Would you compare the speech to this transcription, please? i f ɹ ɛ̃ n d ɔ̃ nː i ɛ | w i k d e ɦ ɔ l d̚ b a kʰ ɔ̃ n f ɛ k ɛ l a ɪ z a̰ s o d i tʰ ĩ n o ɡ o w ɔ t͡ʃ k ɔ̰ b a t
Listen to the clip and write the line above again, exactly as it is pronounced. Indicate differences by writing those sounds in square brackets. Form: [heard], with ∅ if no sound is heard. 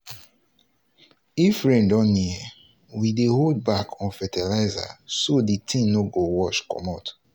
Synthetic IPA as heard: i f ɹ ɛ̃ n d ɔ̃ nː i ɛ | w i [∅] d e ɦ [o] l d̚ b a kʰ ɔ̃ n f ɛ [t] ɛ l a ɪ z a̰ s o d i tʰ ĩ n o ɡ o w ɔ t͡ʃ k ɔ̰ [m] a t